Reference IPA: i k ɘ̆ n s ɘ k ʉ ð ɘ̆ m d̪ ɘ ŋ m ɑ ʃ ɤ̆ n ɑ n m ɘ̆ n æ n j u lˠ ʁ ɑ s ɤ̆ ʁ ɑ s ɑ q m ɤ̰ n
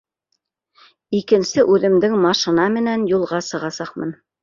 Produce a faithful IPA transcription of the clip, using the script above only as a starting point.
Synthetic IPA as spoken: i k ɘ̆ n s ɘ ʔ ʉ ð ɘ̆ m d̪ ɘ ŋ m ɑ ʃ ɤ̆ n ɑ m ɘ̆ n æ n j u lˠ ʁ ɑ s ɤ̆ ʁ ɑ s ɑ q m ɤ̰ n